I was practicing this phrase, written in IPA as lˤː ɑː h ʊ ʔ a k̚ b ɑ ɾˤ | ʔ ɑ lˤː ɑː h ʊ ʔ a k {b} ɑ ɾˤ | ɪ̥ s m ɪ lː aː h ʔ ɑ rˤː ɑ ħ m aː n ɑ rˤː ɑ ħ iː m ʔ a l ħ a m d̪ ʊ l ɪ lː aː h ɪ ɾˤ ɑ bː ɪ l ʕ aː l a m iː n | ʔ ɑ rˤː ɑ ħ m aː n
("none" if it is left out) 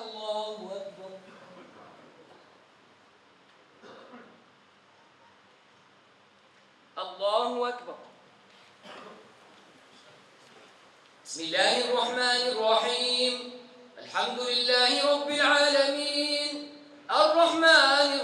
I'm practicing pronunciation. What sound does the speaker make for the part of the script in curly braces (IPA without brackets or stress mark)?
b